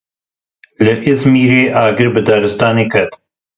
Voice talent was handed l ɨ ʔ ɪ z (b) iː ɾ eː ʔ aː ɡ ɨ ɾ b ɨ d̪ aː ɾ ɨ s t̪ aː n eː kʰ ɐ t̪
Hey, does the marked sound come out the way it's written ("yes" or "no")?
no